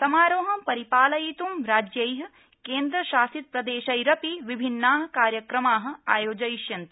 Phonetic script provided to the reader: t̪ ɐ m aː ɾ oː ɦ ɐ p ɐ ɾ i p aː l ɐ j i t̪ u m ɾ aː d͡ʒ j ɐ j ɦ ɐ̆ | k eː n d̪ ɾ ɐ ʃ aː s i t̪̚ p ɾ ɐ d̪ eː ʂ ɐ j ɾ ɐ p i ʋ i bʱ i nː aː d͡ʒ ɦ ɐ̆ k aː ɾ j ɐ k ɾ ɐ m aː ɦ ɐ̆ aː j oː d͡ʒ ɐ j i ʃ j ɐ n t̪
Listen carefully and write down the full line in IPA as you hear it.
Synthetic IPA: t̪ ɐ m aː ɾ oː ɦ ɐ p ɐ ɾ i p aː l ɐ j i t̪ u m ɾ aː d͡ʒ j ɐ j ɦ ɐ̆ | k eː n d̪ ɾ ɐ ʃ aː s i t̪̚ p ɾ ɐ d̪ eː ʃ ɐ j ɾ ɐ p i ʋ i bʱ i nː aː ɦ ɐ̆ k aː ɾ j ɐ k ɾ ɐ m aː ɦ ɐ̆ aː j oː d͡ʒ ɐ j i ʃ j ɐ n t̪